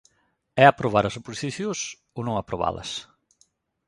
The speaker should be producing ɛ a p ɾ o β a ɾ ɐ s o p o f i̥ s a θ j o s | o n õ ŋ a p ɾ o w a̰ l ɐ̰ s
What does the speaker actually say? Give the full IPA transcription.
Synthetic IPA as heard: ɛ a p ɾ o β a ɾ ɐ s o p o s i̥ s i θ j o s | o n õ ŋ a p ɾ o β a̰ l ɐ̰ s